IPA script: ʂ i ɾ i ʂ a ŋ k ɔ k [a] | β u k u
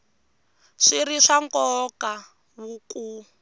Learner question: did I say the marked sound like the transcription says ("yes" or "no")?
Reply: yes